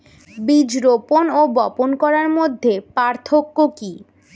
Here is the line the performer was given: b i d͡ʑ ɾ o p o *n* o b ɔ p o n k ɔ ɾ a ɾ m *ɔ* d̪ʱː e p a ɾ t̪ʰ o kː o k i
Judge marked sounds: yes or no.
yes, no

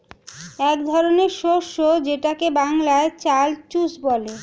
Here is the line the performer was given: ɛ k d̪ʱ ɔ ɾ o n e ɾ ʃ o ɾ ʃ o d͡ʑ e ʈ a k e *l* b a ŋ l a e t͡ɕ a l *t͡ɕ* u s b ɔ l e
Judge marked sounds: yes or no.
no, yes

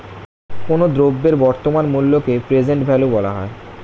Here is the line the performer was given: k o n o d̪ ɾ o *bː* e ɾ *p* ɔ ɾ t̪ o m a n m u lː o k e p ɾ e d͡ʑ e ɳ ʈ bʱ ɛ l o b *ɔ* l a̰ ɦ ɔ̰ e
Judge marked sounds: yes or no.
yes, no, yes

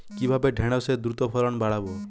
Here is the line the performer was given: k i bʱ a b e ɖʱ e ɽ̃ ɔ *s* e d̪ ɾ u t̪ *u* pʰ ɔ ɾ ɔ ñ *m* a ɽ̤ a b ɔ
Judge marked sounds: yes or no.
yes, no, no

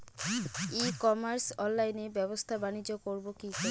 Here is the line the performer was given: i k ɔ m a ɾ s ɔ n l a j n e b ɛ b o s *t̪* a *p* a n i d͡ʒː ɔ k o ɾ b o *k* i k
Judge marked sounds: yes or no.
no, no, yes

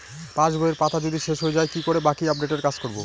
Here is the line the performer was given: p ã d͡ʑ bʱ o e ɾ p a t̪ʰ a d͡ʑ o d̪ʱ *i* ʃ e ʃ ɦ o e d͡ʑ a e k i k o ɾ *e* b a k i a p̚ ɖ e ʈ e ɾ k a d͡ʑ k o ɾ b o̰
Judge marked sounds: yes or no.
yes, yes

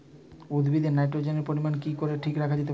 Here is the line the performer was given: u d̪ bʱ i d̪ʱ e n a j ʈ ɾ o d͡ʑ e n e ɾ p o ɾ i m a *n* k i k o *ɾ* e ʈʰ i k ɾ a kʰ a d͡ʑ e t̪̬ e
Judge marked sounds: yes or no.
yes, yes

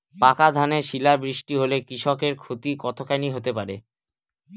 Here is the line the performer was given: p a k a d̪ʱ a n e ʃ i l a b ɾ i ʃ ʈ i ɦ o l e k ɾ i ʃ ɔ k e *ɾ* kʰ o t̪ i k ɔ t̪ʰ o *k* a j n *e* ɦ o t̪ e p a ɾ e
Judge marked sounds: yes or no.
yes, yes, no

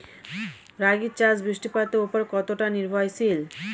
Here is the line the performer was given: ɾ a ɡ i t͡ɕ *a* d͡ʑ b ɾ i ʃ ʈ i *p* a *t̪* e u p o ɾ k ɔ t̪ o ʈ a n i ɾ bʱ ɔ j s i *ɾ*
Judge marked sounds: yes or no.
yes, yes, yes, no

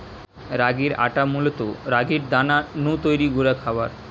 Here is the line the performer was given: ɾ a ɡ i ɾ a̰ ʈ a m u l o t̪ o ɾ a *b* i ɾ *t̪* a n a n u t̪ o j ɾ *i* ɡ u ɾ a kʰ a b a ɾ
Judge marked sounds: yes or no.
no, no, yes

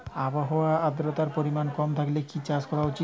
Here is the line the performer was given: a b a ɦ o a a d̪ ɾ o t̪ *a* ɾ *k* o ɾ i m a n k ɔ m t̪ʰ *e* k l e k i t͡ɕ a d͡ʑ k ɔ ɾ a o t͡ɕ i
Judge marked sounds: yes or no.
yes, no, no

